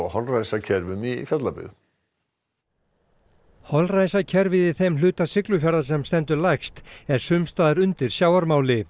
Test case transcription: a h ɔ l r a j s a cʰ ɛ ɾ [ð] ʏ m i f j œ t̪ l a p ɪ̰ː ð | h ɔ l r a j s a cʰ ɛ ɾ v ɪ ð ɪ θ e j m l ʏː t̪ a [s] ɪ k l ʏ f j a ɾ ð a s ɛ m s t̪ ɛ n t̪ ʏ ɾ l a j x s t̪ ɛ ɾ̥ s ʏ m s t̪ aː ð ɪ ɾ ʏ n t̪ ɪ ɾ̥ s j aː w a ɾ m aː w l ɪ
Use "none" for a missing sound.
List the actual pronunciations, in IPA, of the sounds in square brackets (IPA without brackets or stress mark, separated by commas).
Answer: v, s